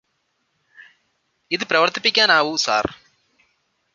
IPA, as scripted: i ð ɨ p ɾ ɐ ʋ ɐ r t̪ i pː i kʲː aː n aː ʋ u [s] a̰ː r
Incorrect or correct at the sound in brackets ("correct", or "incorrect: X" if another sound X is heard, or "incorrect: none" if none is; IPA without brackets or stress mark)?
correct